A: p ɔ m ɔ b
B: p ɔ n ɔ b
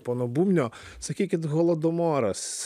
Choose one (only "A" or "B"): B